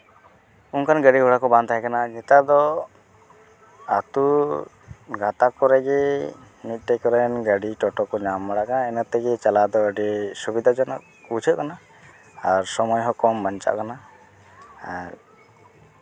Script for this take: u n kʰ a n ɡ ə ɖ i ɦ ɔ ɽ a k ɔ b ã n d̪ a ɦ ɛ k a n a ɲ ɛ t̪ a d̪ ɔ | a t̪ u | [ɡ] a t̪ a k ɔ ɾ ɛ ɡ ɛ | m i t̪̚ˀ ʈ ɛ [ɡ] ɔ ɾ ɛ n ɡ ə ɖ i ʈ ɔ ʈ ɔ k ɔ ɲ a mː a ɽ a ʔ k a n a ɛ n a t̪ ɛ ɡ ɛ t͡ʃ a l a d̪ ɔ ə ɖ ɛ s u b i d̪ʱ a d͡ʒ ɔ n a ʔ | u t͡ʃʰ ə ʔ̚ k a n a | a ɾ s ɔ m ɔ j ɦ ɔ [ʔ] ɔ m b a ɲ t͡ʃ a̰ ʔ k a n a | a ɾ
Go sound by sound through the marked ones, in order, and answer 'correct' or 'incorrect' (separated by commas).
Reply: correct, incorrect, incorrect